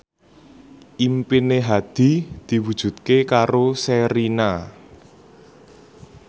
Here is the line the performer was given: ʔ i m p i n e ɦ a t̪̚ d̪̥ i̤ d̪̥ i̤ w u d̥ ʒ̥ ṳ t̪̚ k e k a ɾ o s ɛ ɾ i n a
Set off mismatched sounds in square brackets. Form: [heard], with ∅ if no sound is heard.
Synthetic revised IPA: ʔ i m p i n e ɦ a [∅] d̪̥ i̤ d̪̥ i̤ w u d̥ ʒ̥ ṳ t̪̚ k e k a ɾ o s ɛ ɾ i n a

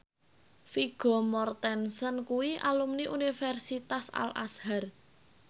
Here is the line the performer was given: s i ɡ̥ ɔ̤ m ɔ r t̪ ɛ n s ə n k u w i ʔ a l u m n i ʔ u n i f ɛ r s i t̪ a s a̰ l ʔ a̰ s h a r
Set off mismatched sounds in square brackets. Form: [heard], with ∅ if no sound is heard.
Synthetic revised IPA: [f] i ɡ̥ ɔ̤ m ɔ r t̪ ɛ n s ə n k u w i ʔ a l u m n i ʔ u n i f ɛ r s i t̪ a s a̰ l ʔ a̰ s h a r

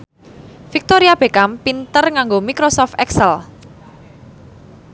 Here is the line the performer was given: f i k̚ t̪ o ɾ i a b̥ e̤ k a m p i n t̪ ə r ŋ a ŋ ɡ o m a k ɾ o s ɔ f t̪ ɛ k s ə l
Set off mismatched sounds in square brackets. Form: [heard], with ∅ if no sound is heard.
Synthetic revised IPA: f i k̚ t̪ o ɾ i a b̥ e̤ k a m p i n t̪ ə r ŋ a ŋ ɡ o m [i] k ɾ o s ɔ f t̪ ɛ k s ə l

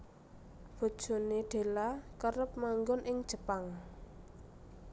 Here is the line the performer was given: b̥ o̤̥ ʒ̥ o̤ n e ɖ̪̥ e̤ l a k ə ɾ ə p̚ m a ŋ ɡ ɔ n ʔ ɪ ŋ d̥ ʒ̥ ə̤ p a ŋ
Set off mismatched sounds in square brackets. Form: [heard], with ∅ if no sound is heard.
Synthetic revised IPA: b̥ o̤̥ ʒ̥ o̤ n e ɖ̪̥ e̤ l a k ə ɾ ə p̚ m a ŋ ɡ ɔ n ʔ ɪ ŋ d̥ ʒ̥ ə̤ p a ŋ

